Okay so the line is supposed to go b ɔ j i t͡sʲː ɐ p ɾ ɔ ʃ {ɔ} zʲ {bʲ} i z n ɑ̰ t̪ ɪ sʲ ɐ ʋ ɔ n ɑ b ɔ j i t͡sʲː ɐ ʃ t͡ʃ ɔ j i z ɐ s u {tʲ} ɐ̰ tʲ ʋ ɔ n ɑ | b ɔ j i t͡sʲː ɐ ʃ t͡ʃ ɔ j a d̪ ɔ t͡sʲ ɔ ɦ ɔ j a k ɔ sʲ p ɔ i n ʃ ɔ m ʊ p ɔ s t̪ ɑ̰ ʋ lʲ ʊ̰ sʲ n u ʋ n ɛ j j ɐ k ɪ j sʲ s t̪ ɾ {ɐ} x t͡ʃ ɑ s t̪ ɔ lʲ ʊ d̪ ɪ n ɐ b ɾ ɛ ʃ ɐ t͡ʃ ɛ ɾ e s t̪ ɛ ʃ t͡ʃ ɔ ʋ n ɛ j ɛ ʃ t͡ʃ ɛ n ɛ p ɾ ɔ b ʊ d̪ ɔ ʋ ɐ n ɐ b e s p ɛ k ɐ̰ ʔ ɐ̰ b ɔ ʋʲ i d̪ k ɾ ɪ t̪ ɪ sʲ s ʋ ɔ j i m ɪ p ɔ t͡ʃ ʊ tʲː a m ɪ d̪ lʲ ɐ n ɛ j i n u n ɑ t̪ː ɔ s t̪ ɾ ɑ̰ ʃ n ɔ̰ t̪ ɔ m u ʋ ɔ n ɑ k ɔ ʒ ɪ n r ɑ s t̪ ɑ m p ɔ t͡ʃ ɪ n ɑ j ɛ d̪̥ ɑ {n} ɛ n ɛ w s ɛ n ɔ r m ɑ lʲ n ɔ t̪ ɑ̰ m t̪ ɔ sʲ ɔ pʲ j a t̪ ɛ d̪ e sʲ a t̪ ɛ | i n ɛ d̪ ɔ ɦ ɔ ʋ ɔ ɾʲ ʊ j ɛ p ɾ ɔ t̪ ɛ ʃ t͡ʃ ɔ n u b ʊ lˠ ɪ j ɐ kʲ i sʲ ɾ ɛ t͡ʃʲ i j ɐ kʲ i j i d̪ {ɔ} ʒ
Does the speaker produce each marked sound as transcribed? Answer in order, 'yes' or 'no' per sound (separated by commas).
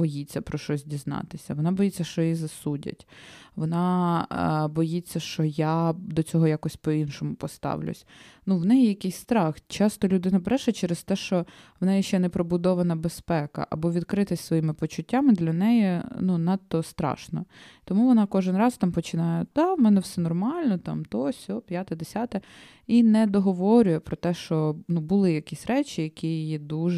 yes, no, no, no, no, no